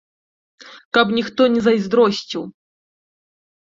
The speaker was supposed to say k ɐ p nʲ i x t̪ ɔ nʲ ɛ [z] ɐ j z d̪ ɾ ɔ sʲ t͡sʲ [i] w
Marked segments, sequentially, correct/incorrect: correct, correct

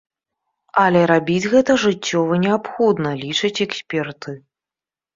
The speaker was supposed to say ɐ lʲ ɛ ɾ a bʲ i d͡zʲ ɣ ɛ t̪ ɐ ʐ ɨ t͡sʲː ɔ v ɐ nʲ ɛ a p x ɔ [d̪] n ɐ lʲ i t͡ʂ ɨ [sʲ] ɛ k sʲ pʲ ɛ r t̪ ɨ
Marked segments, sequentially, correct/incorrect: correct, incorrect: t͡sʲ

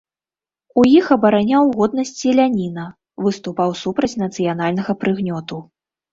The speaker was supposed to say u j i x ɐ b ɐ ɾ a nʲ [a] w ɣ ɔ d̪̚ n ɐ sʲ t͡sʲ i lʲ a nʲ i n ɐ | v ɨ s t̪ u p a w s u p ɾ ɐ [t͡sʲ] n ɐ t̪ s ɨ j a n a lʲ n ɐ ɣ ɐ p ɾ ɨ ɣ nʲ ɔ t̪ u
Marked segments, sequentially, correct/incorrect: correct, correct

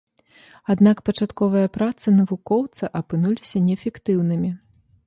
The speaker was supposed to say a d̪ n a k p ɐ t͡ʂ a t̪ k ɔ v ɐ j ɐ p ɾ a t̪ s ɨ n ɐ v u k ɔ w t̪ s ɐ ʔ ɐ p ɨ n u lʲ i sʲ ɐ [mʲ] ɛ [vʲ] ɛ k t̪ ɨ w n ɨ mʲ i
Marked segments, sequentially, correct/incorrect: incorrect: nʲ, incorrect: fʲ

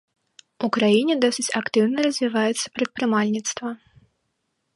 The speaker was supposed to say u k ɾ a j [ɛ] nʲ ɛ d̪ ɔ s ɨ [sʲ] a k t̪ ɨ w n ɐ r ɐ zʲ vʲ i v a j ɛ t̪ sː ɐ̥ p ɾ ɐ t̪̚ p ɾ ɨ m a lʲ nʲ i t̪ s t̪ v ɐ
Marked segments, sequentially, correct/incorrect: incorrect: i, incorrect: t͡sʲ

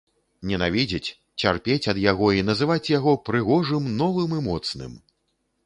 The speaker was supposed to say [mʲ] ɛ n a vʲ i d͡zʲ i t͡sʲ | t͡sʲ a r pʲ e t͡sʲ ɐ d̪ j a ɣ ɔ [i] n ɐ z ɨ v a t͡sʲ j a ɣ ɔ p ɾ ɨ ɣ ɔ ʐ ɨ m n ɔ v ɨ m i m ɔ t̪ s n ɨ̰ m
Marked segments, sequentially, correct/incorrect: incorrect: nʲ, correct

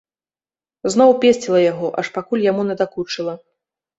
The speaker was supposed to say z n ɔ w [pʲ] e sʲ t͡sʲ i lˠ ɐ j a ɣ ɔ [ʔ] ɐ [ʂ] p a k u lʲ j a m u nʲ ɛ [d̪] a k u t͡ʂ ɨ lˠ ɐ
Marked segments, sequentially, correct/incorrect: correct, correct, correct, correct

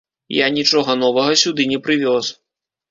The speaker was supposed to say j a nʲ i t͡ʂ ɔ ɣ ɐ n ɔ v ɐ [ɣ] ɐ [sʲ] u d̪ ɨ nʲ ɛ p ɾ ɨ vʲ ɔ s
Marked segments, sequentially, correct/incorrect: correct, correct

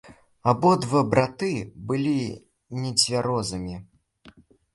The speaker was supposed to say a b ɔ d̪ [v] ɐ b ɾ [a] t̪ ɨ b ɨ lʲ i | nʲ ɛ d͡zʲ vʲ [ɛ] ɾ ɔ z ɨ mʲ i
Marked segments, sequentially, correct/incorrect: correct, correct, incorrect: a

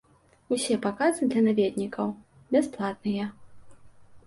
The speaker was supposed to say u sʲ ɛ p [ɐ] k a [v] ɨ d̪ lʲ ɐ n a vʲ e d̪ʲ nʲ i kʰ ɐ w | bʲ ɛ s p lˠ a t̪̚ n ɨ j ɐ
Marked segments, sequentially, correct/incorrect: incorrect: a, incorrect: z

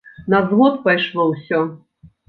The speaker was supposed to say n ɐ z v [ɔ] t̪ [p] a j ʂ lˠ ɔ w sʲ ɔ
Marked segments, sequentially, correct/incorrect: correct, correct

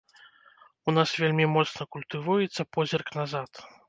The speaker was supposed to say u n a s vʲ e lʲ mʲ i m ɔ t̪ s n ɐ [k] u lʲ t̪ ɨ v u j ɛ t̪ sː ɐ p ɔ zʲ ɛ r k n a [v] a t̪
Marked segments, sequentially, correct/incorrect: correct, incorrect: z

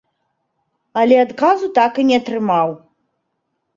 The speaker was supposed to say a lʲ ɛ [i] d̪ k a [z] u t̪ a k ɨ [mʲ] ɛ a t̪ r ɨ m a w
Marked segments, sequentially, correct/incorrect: incorrect: a, correct, incorrect: nʲ

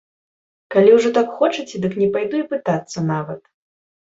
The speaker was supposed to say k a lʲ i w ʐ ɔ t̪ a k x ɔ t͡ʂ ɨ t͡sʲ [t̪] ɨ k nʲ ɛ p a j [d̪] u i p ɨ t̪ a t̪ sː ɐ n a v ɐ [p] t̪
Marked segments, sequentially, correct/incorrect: incorrect: d̪, correct, incorrect: none

